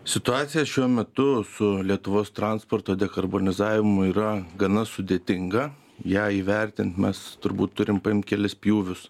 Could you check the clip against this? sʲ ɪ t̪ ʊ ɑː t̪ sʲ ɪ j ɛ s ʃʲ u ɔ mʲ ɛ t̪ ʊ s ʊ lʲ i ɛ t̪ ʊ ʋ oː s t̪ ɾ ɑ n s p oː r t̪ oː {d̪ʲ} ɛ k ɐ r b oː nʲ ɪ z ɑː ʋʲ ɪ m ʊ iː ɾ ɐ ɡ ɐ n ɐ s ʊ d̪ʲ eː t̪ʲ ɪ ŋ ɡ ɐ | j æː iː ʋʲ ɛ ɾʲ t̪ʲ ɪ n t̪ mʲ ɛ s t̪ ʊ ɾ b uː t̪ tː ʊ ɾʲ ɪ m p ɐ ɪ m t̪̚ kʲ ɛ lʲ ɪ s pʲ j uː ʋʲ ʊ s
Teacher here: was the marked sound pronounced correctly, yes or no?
yes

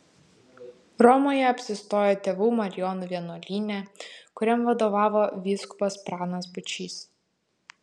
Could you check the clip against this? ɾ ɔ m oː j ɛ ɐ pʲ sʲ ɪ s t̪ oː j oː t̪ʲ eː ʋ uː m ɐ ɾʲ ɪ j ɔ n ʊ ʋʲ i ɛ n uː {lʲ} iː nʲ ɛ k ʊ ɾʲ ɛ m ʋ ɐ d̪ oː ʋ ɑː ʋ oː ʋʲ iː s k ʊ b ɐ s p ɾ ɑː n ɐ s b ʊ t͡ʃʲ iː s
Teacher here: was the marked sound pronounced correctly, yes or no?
yes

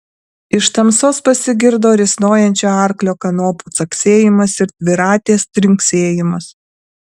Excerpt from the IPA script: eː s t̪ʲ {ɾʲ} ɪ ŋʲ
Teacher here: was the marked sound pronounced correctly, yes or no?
yes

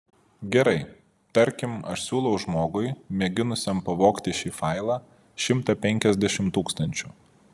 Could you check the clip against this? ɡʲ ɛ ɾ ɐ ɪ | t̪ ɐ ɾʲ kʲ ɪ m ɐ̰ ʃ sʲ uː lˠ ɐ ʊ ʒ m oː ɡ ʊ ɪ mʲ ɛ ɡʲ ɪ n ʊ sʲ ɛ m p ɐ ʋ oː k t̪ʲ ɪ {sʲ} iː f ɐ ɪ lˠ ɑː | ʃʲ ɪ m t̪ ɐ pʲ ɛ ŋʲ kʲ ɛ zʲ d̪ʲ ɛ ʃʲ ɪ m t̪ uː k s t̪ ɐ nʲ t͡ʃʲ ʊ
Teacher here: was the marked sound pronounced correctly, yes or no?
no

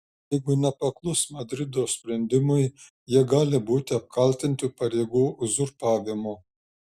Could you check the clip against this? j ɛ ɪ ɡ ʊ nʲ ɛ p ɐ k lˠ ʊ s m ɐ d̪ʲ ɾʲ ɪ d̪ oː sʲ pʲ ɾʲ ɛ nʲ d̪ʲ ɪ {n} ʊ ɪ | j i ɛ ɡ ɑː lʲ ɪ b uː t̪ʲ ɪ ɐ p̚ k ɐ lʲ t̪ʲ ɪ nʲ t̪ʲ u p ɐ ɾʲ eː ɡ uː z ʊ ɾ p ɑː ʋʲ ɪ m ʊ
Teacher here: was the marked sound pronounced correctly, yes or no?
no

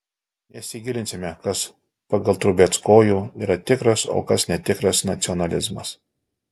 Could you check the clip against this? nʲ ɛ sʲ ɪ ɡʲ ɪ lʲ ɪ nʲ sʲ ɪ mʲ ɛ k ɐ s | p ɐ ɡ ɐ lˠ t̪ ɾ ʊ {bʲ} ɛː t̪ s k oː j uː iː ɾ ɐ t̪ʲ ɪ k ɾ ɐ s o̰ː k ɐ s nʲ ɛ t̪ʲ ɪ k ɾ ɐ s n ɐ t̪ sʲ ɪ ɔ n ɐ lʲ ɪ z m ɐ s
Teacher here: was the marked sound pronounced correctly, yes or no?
yes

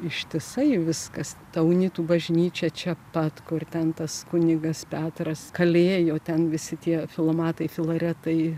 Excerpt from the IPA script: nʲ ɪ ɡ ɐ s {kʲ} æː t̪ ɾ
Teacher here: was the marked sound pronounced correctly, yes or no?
no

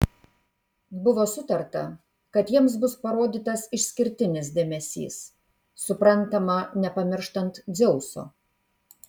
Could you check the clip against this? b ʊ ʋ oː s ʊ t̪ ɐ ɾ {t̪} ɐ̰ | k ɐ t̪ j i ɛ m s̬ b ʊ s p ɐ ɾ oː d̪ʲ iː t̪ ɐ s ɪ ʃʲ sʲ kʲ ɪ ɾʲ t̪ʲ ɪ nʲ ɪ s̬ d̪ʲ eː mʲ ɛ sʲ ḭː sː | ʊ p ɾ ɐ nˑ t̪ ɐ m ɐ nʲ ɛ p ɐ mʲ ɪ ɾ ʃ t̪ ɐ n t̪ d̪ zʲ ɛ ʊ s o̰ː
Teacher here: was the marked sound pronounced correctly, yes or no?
yes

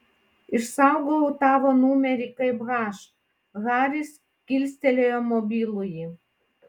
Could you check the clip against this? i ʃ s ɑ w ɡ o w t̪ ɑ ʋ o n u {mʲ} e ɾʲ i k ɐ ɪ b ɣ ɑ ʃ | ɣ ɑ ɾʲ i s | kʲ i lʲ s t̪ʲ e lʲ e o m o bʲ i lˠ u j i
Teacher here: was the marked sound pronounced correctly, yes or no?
yes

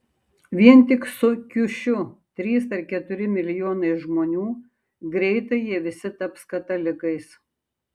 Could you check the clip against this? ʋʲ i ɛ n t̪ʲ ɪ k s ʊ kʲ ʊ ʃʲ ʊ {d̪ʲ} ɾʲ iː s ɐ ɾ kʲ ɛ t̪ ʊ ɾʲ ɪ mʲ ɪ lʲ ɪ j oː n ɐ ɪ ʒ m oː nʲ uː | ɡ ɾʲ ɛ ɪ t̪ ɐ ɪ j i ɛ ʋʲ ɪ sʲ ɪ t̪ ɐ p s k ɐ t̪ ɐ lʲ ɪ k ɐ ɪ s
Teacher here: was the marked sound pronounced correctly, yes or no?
no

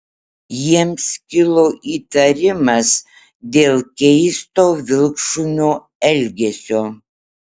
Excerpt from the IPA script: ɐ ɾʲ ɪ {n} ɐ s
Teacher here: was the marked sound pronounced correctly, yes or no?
no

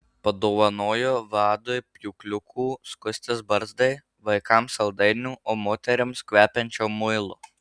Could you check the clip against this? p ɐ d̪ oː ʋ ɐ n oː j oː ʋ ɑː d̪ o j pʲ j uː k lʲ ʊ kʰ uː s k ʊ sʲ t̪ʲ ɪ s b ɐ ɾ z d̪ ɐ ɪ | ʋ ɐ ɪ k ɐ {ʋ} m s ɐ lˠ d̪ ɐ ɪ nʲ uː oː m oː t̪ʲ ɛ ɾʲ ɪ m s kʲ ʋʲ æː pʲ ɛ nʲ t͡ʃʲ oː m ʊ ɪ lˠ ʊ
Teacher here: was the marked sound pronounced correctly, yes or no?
no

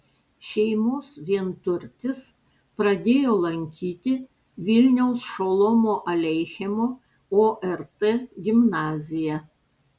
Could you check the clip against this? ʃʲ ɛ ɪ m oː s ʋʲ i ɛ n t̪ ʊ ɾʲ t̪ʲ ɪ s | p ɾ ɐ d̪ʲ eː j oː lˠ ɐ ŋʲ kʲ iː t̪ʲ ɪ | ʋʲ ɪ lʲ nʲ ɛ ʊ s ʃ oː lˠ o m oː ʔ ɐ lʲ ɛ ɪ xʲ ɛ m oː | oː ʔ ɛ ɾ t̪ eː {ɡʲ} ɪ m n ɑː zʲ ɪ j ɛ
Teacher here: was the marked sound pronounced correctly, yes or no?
yes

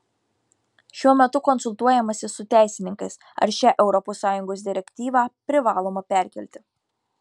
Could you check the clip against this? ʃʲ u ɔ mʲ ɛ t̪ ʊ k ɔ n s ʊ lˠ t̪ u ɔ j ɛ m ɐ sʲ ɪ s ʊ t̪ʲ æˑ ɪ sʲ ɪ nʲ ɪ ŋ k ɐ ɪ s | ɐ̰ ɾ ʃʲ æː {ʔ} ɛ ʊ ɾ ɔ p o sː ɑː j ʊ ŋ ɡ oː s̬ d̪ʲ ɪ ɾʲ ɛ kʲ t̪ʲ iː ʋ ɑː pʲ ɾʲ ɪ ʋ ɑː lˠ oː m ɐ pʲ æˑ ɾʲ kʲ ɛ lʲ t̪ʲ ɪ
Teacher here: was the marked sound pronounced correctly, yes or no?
yes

